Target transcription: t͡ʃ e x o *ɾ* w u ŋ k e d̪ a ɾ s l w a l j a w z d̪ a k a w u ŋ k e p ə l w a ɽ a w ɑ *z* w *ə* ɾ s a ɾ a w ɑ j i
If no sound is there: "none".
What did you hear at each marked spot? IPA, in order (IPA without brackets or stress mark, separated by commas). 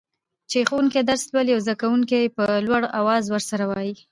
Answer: none, z, ə